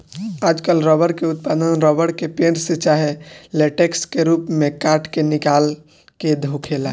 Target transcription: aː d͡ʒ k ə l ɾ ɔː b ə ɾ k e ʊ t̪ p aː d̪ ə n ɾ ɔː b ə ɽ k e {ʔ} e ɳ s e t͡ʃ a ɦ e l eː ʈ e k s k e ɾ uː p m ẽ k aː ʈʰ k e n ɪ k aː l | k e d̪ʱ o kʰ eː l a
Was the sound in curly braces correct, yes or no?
no